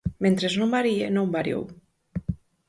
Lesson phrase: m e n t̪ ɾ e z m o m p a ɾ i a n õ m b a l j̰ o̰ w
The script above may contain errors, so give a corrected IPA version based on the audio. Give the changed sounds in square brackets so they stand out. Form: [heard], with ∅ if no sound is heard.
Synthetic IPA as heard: m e n t̪ ɾ e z [n] o m [b] a ɾ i [e] n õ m b a [ɾ] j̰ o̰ w